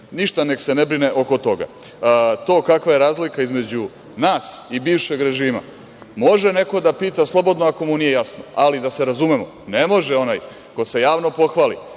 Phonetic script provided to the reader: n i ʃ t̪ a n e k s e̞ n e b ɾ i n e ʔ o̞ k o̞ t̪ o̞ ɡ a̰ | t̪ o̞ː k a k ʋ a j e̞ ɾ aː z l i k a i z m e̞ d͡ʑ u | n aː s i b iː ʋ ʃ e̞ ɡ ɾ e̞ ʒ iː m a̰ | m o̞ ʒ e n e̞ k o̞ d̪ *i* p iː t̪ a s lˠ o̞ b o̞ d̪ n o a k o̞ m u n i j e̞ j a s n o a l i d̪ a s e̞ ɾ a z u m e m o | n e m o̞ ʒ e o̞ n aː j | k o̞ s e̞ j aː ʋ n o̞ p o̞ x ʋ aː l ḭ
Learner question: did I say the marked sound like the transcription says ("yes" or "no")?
no